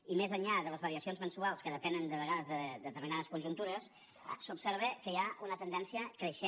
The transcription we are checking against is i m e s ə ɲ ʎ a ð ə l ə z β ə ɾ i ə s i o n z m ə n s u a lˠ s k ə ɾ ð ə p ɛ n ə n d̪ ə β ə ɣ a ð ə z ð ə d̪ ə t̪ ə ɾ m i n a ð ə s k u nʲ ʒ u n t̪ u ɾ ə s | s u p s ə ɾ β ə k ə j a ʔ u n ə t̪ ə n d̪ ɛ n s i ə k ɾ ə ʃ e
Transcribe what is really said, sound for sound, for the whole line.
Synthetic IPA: i m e z ə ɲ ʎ a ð ə l ə z β ə ɾ i ə s i o n z m ə n s u a lˠ s k ə ð ə p ɛ n ə n d̪ ə β ə ɣ a ð ə z ð ə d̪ ə t̪ ə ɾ m i n a ð ə s k u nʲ ʒ u n t̪ u ɾ ə s | s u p s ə ɾ β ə k ə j a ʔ u n ə t̪ ə n d̪ ɛ n s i ə k ɾ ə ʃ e